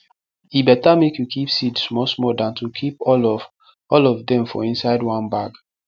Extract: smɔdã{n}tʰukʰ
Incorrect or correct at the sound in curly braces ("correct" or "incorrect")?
correct